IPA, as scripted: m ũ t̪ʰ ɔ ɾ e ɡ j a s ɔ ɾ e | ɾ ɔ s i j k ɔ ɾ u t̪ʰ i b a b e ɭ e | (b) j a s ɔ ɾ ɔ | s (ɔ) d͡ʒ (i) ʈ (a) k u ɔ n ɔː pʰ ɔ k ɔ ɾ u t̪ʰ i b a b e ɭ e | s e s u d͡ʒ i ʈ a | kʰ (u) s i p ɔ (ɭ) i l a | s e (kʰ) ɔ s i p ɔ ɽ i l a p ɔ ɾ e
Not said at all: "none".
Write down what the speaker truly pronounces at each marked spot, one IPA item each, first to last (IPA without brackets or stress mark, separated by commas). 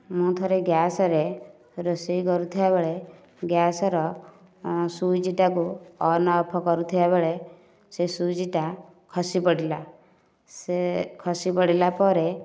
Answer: ɡ, u, i, a, ɔ, ɽ, kʰ